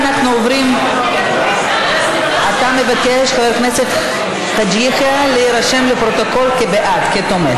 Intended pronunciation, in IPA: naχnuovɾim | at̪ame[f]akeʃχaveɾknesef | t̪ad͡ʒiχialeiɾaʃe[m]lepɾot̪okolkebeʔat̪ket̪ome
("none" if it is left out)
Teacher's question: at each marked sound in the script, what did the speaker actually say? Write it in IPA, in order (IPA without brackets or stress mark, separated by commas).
v, m